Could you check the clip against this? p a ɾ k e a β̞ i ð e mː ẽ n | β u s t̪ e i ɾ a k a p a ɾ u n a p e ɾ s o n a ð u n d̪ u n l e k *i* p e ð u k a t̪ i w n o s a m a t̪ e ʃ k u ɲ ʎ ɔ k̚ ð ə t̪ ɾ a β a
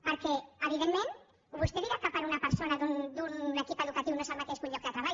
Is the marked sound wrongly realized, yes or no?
no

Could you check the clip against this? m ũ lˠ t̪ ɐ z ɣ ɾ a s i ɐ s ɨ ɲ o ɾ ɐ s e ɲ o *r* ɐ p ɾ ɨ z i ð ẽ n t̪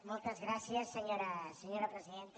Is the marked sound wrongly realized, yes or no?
yes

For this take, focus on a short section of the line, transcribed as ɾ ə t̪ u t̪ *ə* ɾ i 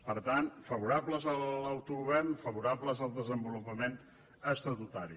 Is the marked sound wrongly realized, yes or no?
yes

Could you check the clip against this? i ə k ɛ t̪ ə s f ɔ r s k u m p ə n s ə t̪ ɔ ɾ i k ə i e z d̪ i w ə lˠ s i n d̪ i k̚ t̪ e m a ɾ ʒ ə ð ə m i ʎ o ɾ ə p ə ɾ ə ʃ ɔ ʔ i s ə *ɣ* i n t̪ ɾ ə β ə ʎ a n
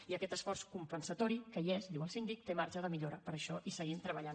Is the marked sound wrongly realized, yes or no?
no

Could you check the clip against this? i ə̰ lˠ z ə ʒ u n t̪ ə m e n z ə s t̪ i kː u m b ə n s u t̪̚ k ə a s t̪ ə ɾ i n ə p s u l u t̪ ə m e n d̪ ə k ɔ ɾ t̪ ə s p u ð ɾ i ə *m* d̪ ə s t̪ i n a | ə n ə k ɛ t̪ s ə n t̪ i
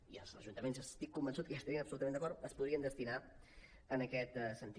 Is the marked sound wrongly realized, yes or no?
yes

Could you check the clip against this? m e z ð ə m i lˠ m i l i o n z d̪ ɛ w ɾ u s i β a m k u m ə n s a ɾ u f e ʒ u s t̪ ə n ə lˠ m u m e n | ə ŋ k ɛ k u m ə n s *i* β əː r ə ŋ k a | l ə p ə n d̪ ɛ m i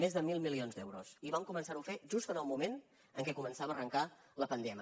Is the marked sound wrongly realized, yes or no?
yes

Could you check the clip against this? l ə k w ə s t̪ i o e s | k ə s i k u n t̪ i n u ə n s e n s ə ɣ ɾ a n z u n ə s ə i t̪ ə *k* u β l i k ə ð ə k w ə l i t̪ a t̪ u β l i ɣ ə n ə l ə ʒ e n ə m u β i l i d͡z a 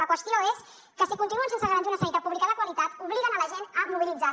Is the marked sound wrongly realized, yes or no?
yes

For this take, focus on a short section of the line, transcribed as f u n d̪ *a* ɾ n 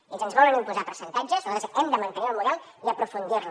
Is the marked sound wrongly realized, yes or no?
yes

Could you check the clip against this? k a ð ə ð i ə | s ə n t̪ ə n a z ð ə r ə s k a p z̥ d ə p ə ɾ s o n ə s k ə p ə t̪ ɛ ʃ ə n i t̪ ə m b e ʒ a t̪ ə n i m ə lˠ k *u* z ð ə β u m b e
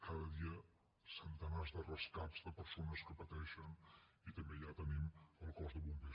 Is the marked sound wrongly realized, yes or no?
yes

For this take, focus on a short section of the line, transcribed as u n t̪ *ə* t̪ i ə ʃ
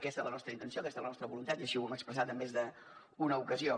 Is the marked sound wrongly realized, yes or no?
yes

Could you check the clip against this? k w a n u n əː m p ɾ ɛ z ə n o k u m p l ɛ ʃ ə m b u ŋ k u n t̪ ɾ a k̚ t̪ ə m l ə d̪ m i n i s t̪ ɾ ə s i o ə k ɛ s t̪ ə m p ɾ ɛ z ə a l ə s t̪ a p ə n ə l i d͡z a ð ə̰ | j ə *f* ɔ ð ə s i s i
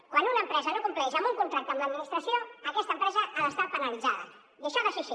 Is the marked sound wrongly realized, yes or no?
yes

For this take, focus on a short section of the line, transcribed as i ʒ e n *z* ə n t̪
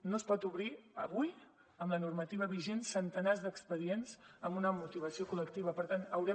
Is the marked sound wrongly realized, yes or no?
yes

